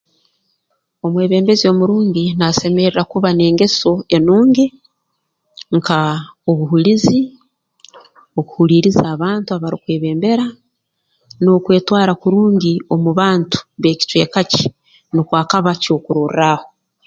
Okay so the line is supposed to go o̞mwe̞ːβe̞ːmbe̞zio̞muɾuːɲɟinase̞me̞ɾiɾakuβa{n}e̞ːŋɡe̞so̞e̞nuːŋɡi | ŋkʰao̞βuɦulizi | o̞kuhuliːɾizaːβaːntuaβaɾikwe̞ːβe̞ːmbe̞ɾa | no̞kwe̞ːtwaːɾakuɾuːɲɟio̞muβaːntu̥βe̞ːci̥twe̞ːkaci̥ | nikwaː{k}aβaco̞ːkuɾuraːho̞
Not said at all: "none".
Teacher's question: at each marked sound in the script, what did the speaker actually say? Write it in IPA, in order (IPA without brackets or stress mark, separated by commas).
n, k